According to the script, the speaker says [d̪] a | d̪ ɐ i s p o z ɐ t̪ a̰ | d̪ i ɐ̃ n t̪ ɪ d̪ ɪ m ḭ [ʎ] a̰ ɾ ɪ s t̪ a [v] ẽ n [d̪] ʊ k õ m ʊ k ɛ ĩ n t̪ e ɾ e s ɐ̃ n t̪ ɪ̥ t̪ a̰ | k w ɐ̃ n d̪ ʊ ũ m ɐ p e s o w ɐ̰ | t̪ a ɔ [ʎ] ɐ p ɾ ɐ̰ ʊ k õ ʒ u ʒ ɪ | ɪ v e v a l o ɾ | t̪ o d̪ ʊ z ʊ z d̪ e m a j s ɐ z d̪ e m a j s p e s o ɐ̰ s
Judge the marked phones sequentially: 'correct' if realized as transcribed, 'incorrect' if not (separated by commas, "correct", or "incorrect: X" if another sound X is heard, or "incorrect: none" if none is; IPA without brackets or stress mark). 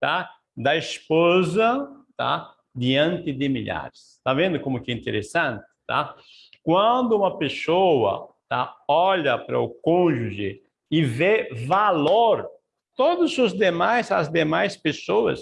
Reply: incorrect: t̪, correct, correct, correct, correct